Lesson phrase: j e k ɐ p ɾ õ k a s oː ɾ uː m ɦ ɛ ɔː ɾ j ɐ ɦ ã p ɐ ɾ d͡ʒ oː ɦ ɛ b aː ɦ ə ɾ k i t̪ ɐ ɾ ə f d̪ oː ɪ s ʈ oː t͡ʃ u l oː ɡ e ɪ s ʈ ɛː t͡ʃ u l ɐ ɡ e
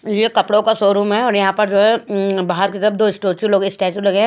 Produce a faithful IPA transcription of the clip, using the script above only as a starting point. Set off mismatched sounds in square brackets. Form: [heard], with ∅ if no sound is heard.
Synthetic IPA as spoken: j e k ɐ p [ɽ] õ k a s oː ɾ uː m ɦ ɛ ɔː ɾ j ɐ ɦ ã p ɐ ɾ d͡ʒ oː ɦ ɛ b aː ɦ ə ɾ k i t̪ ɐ ɾ ə f d̪ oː ɪ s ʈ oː t͡ʃ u l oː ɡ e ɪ s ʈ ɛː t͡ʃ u l ɐ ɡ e